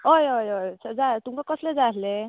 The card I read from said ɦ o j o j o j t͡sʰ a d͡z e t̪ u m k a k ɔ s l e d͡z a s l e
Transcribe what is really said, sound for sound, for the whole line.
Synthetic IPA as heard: ɦ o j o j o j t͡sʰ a d͡z a t̪ u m k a k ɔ s l e d͡z a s l e